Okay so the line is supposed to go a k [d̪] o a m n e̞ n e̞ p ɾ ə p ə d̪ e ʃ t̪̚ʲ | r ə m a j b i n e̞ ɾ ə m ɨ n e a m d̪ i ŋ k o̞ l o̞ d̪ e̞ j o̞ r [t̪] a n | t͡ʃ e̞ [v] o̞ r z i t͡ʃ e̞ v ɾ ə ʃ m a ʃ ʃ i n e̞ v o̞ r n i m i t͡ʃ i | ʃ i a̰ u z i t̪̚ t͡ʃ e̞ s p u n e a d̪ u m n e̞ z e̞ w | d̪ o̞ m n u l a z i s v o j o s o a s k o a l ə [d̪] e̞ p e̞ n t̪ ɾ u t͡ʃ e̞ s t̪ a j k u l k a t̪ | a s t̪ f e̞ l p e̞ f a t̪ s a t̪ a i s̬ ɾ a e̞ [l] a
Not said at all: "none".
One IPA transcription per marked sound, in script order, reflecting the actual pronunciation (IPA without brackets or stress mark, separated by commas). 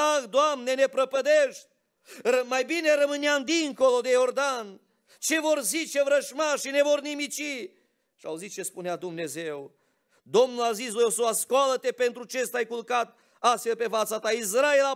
d̪, d̪, v, t̪, l